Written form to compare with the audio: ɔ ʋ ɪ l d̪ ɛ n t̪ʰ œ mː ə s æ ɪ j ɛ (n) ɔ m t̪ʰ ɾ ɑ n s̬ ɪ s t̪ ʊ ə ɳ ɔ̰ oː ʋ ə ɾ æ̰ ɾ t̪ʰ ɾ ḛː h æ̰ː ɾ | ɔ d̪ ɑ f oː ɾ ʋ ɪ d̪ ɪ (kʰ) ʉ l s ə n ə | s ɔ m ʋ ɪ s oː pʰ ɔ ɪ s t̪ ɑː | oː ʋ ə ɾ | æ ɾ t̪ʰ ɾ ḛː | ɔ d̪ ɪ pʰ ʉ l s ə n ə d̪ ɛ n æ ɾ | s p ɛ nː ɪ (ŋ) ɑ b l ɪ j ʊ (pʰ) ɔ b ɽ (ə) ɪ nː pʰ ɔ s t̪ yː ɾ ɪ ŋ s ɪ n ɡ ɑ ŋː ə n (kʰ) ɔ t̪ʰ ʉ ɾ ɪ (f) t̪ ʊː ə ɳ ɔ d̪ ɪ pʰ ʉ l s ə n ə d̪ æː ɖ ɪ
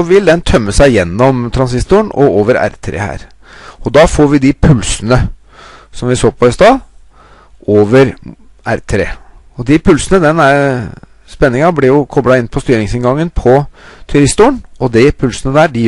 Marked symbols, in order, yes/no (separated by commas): no, no, yes, no, no, no, no